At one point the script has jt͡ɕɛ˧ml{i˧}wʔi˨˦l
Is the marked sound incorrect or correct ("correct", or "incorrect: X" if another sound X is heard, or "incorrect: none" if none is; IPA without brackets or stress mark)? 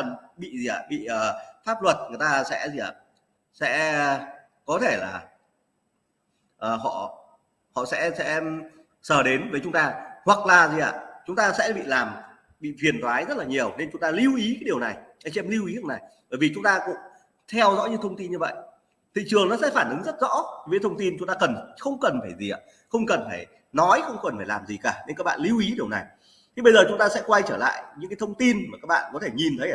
correct